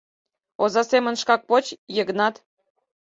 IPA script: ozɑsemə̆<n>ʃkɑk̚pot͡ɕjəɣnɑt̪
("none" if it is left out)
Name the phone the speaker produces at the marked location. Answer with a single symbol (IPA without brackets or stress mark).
n